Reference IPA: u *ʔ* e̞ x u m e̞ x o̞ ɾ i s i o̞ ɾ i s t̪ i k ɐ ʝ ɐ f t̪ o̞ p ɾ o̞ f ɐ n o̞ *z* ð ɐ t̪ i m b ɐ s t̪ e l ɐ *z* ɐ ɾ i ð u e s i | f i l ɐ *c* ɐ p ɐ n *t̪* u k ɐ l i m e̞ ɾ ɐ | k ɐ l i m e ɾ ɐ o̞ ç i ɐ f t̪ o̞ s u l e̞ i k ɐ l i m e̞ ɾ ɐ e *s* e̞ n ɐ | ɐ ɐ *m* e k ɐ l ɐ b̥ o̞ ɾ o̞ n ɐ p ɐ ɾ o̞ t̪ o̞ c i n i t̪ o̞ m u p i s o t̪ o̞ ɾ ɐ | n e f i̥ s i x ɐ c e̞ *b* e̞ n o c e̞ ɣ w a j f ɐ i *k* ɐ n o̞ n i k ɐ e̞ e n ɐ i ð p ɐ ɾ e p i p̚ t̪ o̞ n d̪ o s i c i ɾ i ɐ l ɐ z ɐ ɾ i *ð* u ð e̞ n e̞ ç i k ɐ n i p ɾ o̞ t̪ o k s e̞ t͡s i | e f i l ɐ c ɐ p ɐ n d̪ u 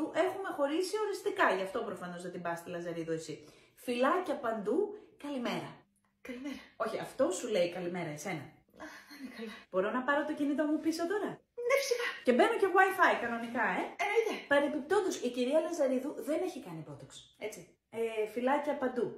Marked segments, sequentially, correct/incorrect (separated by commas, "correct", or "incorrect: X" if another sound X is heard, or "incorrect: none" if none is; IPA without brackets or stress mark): correct, correct, correct, correct, incorrect: d̪, correct, incorrect: n, correct, correct, correct